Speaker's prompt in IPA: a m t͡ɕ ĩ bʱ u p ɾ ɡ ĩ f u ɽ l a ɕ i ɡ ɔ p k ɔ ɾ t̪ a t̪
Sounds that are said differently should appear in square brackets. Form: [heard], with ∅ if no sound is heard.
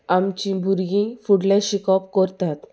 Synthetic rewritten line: a m t͡ɕ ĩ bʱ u [∅] ɾ ɡ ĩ f u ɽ l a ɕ i [k] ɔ p k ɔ ɾ t̪ a t̪